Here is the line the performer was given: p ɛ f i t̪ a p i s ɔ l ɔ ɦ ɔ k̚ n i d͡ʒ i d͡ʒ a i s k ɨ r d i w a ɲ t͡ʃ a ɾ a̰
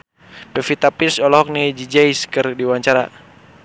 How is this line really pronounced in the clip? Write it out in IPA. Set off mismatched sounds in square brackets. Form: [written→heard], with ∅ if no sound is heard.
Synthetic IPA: p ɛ f i t̪ a p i s ɔ l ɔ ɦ ɔ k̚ n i d͡ʒ i d͡ʒ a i s k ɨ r d i w a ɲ t͡ʃ a ɾ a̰